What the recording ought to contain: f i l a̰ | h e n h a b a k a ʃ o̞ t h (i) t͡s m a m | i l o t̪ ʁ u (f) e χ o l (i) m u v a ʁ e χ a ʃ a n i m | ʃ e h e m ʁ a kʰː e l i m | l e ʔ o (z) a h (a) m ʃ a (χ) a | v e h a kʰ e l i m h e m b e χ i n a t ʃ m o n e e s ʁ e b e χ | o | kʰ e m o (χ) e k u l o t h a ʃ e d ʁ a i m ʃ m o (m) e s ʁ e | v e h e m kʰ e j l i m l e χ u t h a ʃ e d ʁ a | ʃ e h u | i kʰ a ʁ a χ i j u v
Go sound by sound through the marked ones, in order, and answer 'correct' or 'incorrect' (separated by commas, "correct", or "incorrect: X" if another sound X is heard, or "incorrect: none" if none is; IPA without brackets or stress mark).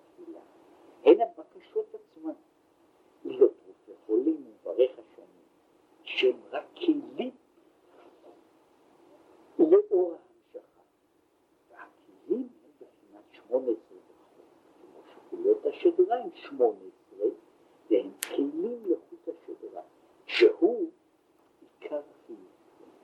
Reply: incorrect: a, correct, correct, incorrect: ʁ, correct, correct, incorrect: ʃ, incorrect: n